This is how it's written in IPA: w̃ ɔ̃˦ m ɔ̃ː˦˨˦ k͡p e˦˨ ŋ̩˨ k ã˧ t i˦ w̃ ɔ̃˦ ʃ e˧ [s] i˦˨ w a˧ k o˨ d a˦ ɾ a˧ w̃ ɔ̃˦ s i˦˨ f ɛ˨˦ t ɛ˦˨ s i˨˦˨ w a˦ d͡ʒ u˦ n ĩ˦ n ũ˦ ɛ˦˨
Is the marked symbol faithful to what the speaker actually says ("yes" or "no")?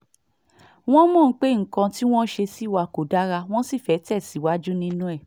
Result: yes